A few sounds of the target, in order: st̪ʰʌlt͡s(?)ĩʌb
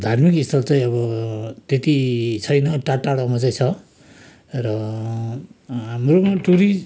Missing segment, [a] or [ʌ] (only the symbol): a